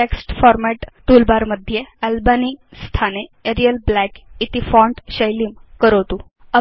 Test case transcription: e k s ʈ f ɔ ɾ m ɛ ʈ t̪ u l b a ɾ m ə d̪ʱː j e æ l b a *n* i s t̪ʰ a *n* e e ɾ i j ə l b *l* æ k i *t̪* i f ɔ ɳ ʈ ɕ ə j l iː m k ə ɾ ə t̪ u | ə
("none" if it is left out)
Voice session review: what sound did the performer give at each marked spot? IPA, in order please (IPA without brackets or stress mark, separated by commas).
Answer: n, n, l, t̪